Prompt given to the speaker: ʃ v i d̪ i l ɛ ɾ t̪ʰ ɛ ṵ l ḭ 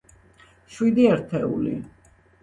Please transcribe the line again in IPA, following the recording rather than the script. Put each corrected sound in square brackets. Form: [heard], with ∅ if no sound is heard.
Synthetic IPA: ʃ [w] i d̪ i [∅] ɛ ɾ t̪ʰ ɛ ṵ l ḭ